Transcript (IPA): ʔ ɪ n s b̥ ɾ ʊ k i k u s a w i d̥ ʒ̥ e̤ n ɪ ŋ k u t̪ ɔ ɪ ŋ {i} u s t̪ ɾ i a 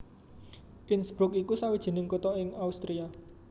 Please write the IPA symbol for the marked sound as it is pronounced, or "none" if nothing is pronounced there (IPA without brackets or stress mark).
a